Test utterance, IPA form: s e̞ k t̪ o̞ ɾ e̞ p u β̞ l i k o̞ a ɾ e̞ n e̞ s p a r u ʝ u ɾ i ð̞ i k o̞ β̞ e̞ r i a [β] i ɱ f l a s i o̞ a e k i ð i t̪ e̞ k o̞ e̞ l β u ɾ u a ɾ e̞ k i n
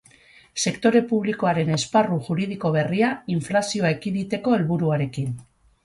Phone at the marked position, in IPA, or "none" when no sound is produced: none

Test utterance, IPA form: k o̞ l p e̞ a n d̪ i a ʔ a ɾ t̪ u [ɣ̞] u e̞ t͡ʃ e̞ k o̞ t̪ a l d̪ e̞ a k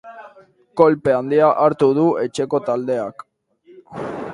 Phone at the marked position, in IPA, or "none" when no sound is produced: ð̞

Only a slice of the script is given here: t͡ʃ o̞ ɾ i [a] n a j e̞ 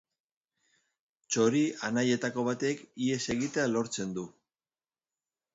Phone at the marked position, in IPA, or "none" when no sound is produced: a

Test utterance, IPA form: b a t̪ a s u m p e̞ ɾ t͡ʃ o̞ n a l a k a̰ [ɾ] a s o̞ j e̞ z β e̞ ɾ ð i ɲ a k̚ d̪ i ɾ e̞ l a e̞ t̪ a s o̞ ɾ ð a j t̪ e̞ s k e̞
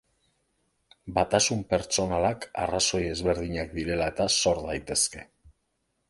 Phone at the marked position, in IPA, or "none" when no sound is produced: r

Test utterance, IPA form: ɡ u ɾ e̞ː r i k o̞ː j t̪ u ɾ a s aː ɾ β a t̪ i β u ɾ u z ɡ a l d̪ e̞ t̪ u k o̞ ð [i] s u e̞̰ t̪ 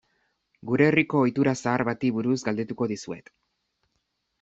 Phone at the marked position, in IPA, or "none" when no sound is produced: i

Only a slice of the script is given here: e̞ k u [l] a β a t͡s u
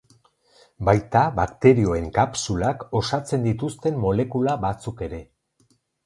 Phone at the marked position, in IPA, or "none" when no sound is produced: l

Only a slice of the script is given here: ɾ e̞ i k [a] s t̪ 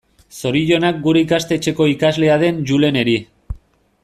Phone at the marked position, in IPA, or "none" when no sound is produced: a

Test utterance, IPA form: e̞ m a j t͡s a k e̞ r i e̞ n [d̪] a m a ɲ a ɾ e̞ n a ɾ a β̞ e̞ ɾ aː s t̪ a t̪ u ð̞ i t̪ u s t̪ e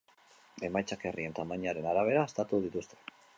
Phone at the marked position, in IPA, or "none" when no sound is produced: t̪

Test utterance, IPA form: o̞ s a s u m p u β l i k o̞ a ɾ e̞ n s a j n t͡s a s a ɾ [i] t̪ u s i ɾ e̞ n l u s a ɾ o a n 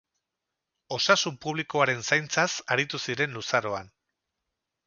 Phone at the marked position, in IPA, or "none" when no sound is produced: i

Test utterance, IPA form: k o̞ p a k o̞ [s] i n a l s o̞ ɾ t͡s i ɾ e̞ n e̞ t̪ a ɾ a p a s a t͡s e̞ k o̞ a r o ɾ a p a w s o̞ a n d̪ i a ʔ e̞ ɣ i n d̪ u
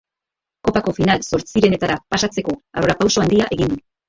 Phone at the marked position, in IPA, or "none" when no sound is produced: f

